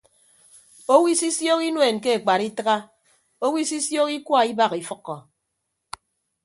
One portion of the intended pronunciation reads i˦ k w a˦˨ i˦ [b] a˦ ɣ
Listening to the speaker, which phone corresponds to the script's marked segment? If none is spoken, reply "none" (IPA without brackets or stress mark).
b